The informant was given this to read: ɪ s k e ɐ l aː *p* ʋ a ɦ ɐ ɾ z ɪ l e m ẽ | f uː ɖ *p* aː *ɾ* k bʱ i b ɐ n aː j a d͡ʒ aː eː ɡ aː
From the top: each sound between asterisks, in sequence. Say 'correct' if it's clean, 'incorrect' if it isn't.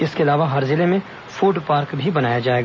incorrect: none, correct, correct

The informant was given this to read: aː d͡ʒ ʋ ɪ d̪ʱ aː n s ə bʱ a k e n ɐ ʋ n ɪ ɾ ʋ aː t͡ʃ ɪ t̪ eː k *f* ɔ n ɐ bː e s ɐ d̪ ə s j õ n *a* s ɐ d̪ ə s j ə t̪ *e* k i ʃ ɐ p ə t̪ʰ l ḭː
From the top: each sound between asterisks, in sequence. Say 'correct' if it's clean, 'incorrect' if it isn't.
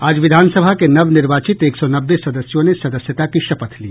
incorrect: s, incorrect: e, incorrect: a

